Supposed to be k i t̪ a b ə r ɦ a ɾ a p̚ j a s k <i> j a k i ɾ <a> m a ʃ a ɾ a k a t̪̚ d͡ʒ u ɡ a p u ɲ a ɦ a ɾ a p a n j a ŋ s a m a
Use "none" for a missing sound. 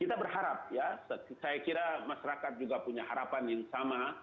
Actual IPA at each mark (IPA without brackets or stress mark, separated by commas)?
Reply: a, a